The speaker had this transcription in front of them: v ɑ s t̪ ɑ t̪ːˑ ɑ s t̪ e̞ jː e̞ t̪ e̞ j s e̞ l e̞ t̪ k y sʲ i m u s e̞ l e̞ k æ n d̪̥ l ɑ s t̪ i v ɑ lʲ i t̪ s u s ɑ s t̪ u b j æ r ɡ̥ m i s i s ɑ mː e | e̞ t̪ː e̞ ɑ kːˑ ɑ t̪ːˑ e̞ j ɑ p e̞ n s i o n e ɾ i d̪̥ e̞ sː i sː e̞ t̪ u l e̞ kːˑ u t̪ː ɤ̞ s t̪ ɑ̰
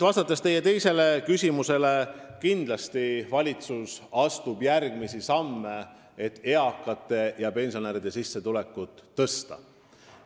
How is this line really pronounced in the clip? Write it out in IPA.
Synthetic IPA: v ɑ s t̪ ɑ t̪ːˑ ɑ s t̪ e̞ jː e̞ t̪ e̞ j s e̞ l e̞ k y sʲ i m u s e̞ l e̞ k i n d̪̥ l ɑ s t̪ i v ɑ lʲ i t̪ s u s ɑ s t̪ u b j æ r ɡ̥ m i s i s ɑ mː e | e̞ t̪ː e̞ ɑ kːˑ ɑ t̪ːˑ e̞ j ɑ p e̞ n s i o n e ɾ i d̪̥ e̞ s i sː e̞ t̪ u l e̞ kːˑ u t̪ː ɤ̞ s t̪ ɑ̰